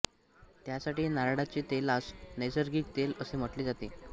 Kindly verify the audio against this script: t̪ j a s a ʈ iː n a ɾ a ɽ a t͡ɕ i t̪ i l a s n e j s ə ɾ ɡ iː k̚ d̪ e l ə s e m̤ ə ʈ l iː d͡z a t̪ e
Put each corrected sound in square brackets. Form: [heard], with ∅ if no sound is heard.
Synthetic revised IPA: t̪ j a s a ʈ iː n a ɾ a ɽ a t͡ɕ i t̪ [e] l a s n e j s ə ɾ ɡ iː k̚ [t̪] e l ə s e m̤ ə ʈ l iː d͡z a t̪ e